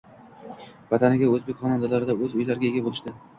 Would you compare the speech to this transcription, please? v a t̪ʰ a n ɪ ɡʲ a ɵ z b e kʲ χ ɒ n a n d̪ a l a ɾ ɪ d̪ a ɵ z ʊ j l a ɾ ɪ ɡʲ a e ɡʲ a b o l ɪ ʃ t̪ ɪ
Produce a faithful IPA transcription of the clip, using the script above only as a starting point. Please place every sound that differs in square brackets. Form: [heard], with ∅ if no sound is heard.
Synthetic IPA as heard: v a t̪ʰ a n ɪ ɡʲ a ɵ z b e kʲ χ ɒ n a n d̪ a l a ɾ ɪ d̪ a ɵ z ʊ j l a ɾ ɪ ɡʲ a e ɡʲ a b o l ɪ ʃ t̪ ɪ